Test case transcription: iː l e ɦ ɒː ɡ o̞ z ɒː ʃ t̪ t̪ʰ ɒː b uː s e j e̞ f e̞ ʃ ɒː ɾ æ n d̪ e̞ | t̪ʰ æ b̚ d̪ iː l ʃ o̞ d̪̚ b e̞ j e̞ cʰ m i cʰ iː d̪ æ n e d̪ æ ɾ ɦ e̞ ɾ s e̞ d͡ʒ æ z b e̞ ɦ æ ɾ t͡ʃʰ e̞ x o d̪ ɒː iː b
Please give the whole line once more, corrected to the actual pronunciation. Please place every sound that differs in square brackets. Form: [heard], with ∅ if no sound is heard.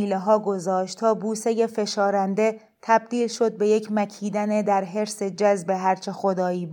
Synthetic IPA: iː l e ɦ ɒː ɡ o̞ z ɒː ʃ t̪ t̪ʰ ɒː b uː s e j e̞ f e̞ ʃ ɒː ɾ æ n d̪ e̞ | t̪ʰ æ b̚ d̪ iː l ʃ o̞ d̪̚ b e̞ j e̞ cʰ m [æ] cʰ iː d̪ æ n e d̪ æ ɾ ɦ e̞ ɾ s e̞ d͡ʒ æ z b e̞ ɦ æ ɾ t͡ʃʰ e̞ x o d̪ ɒː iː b